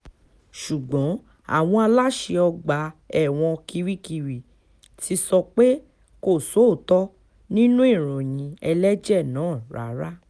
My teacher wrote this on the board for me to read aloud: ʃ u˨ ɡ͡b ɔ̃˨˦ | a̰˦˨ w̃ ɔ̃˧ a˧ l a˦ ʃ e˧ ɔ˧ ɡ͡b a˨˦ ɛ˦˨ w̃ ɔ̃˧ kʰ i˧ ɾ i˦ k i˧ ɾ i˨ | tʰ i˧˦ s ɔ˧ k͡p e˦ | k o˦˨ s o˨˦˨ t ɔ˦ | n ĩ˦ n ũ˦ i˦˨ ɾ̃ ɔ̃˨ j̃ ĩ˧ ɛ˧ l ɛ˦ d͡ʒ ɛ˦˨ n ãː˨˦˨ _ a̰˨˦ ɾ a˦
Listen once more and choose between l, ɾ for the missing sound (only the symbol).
ɾ